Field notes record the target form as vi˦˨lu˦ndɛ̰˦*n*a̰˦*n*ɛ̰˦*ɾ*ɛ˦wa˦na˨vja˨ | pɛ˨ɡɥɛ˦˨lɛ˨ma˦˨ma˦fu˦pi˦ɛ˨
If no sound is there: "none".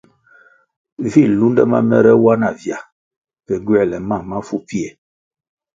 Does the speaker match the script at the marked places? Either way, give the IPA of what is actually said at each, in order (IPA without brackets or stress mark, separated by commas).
m, m, ɾ